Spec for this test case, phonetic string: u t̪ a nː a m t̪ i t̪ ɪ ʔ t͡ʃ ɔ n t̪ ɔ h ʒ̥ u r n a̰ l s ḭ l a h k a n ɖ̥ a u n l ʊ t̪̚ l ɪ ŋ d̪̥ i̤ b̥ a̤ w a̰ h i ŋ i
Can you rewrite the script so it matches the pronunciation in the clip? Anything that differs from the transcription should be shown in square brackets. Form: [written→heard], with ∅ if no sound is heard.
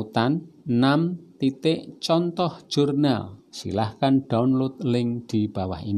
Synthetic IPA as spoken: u t̪ a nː a m t̪ i t̪ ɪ ʔ t͡ʃ ɔ n t̪ ɔ h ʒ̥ u r n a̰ l s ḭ l a h k a n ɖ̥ a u n l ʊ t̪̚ l ɪ ŋ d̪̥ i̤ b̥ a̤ w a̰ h i [ŋ→n] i